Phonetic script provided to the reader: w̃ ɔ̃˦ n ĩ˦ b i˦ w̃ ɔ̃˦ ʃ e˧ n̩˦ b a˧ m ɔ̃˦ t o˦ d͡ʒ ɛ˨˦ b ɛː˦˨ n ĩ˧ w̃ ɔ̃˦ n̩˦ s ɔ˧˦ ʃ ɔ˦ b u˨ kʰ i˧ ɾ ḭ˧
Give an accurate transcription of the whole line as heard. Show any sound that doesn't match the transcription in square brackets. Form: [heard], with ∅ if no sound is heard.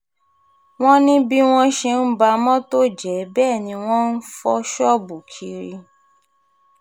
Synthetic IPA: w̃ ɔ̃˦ n ĩ˦ b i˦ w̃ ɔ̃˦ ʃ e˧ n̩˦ b a˧ m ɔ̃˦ t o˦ d͡ʒ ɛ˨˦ b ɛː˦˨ n ĩ˧ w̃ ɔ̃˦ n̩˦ [f] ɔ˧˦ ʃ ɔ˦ b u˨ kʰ i˧ ɾ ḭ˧